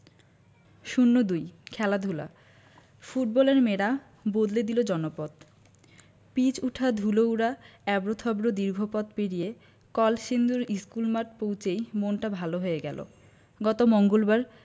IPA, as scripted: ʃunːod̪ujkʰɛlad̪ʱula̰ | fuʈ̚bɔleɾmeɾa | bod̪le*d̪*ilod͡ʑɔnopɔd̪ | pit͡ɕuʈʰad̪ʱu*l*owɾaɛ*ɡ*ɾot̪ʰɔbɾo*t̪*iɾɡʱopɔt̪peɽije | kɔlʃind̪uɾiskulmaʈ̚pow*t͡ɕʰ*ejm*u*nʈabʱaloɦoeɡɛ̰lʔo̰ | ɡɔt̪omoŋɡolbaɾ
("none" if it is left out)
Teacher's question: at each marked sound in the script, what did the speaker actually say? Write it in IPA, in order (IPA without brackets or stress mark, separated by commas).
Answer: d̪, l, b, d̪, t͡ɕ, o